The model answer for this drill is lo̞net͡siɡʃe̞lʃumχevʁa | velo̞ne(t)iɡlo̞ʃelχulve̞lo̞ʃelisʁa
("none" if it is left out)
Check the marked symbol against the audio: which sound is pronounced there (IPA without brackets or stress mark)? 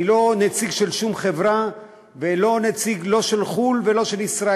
t͡s